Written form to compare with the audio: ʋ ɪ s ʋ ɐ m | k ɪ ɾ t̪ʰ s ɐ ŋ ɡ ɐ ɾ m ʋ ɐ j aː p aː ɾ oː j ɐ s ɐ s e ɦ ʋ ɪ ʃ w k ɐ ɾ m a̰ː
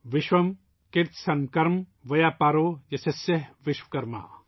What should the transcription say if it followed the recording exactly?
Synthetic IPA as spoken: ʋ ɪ ʃ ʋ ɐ m | k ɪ ɾ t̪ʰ s ɐ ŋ k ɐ ɾ m ʋ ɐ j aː p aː ɾ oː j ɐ s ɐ s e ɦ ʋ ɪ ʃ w k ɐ ɾ m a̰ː